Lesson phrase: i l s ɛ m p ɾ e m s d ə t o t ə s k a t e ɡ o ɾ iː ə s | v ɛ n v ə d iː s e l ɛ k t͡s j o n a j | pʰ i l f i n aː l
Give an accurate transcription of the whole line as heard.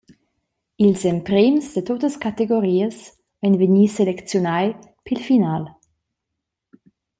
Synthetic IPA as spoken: i l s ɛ m p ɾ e m s d ə t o t ə s k a t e ɡ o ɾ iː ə s | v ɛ n v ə n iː s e l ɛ k t͡s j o n a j | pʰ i l f i n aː l